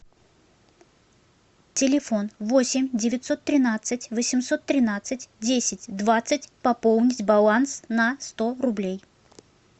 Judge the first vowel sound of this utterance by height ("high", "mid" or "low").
high